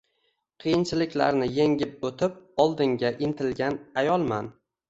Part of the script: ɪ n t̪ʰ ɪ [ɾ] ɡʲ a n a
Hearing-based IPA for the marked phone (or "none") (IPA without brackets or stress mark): l